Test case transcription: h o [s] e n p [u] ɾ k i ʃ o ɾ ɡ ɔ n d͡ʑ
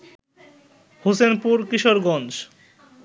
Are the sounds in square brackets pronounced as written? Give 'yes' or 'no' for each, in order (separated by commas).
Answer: yes, yes